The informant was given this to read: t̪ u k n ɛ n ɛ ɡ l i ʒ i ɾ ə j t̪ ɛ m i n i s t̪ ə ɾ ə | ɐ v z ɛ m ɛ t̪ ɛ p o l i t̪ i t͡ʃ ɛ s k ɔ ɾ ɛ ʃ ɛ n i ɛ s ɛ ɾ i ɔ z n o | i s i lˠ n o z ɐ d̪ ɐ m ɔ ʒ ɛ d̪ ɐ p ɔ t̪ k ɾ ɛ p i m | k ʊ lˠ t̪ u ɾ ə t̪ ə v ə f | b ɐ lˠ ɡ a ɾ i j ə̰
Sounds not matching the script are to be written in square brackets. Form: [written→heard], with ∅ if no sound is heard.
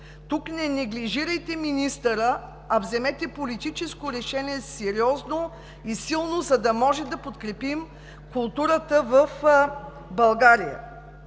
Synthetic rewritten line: t̪ u k n ɛ n ɛ ɡ l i ʒ i ɾ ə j t̪ ɛ m i n i s t̪ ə ɾ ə | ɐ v z ɛ m ɛ t̪ ɛ p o l i t̪ i t͡ʃ ɛ s k [ɔ→o] ɾ ɛ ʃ ɛ n i ɛ s ɛ ɾ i ɔ z n o | i s i lˠ n o z ɐ d̪ ɐ m ɔ ʒ ɛ d̪ ɐ p [ɔ→o] t̪ k ɾ ɛ p i m | k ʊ lˠ t̪ u ɾ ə t̪ ə v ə f | b ɐ lˠ ɡ a ɾ i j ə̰